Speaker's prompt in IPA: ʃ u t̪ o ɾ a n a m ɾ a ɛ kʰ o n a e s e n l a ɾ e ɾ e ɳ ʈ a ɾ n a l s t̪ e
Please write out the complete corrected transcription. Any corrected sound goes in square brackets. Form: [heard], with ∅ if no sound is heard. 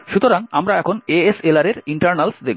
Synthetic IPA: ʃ u t̪ o ɾ a [ŋ] a m ɾ a ɛ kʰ o n [e] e s e [∅] l a ɾ e ɾ [i] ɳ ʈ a ɾ n a l s [d̪] e

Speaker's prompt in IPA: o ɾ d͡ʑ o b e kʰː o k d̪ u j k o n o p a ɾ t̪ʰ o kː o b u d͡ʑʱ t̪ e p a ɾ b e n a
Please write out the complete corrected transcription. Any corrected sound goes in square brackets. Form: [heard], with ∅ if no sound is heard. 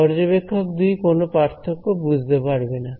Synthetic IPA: [ɔ] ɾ d͡ʑ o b e kʰː o k d̪ u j k o n o p a ɾ t̪ʰ o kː o b u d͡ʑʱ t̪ e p a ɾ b e n a

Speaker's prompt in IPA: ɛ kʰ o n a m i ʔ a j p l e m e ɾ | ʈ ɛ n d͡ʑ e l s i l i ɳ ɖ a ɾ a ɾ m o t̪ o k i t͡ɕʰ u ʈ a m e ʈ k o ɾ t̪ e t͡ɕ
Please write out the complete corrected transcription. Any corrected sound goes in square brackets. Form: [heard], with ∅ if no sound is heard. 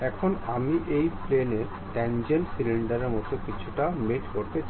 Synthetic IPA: ɛ kʰ o n a m i ʔ [e] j p l e [n] e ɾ | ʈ ɛ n d͡ʑ e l s i l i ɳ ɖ a ɾ [e] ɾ m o t̪ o k i t͡ɕʰ u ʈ a m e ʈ k o ɾ t̪ e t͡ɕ

